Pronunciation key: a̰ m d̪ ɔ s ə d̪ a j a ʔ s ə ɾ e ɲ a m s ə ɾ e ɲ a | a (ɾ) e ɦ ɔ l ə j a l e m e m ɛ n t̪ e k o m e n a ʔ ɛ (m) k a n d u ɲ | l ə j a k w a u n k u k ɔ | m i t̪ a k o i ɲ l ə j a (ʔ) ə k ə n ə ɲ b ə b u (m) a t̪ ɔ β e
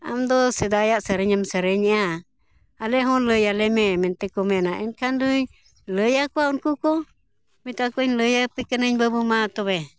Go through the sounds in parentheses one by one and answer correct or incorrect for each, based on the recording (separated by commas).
incorrect, incorrect, incorrect, correct